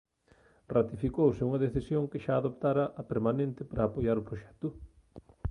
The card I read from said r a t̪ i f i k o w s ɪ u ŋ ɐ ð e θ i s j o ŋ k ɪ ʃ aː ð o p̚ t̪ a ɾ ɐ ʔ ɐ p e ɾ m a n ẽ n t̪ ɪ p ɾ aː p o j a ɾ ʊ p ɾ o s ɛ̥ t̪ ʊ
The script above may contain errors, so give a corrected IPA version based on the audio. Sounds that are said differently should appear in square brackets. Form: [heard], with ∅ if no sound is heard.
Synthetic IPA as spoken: r a t̪ i f i k o w s ɪ u ŋ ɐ ð e θ i s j o ŋ k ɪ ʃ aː ð o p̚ t̪ a ɾ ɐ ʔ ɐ p e ɾ m a n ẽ n t̪ ɪ p ɾ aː p o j a ɾ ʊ p ɾ o [ʃ] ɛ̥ t̪ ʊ